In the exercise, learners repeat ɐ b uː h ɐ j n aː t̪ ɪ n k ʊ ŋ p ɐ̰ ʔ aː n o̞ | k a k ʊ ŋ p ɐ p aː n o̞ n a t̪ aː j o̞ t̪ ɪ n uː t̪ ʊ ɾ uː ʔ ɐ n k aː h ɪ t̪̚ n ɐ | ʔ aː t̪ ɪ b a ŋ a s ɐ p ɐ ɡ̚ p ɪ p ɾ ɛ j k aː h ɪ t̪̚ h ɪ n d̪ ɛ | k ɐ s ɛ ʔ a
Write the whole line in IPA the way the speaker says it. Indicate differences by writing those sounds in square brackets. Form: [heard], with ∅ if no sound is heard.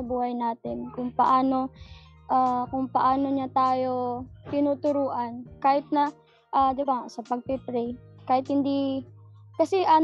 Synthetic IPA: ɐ b uː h ɐ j n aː t̪ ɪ n k ʊ ŋ p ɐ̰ ʔ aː n o̞ | [ʔ] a k ʊ ŋ p ɐ [ʔ] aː n o̞ [ɲ] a t̪ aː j o̞ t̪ ɪ n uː t̪ ʊ ɾ uː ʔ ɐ n k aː h ɪ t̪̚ n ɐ | ʔ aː [d̪] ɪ b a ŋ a s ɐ p ɐ ɡ̚ p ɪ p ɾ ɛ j k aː h ɪ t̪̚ h ɪ n d̪ [i] | k ɐ s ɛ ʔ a